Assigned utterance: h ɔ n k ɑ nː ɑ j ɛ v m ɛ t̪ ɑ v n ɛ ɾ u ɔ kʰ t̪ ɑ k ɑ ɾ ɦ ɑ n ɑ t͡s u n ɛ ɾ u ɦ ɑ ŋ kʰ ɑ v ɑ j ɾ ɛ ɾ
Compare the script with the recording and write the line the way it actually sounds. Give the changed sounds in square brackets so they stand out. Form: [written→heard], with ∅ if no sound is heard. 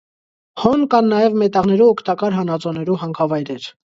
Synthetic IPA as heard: h ɔ n k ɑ nː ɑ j ɛ v m ɛ t̪ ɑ [v→ʁ] n ɛ ɾ u ɔ kʰ t̪ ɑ k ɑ ɾ ɦ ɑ n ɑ t͡s [u→ɔ] n ɛ ɾ u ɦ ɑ ŋ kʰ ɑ v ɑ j ɾ ɛ ɾ